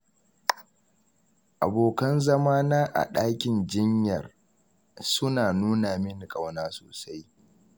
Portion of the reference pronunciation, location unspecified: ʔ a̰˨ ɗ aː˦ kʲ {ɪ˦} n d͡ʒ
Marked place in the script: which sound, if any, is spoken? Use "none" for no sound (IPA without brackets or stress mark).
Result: ɪ˨